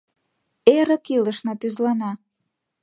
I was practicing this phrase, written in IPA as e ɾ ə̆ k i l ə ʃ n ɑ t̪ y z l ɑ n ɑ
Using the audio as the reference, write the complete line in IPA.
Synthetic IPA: e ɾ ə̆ k i l ə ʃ n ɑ t̪ y z l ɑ n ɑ